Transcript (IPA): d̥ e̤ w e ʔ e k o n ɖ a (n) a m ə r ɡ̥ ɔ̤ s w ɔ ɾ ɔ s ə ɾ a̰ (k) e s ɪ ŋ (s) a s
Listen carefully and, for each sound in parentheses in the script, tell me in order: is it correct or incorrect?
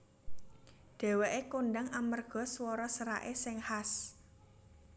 incorrect: ŋ, incorrect: ʔ, incorrect: h

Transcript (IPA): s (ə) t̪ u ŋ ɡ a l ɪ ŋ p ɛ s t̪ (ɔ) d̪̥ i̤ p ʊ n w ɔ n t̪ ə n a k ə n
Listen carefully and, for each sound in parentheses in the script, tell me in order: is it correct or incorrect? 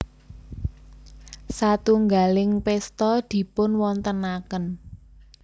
incorrect: a, correct

